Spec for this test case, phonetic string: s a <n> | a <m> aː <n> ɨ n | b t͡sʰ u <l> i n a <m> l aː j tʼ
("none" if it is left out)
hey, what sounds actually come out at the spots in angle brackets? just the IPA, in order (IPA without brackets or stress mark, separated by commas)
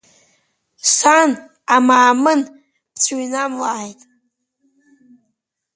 n, m, m, none, m